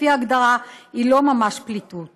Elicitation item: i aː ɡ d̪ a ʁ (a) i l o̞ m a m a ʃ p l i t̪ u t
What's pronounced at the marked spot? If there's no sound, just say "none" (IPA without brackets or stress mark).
a